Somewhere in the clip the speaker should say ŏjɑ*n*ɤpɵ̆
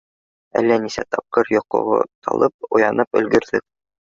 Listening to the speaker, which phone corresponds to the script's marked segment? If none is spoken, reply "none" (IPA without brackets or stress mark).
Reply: n